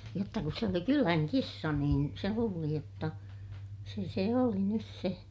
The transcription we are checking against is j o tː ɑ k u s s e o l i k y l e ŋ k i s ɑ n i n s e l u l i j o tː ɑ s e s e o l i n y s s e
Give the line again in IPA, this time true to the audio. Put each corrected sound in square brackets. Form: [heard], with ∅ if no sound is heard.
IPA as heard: j o tː ɑ k u s s e o l i k y l [æ] ŋ k i [sː] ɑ n [iː] n s e l [uː] l i j o tː ɑ s e s e o l i n y s s e